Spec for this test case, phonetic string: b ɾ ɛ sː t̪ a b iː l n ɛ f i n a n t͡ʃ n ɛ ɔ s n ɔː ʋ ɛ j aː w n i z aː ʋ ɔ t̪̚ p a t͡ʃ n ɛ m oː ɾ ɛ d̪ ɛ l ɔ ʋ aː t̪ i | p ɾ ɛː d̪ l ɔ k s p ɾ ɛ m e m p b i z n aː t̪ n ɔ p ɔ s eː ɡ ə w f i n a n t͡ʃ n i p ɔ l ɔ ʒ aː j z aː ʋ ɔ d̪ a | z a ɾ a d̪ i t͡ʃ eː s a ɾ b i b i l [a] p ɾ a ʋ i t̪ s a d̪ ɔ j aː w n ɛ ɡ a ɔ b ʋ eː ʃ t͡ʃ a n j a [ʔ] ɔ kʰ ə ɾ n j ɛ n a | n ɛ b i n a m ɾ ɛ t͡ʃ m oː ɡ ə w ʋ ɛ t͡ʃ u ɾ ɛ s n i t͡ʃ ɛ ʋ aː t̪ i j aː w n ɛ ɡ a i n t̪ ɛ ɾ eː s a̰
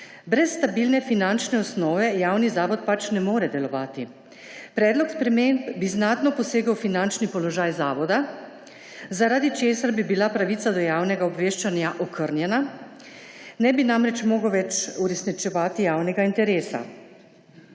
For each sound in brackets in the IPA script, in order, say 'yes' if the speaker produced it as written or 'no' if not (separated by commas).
yes, yes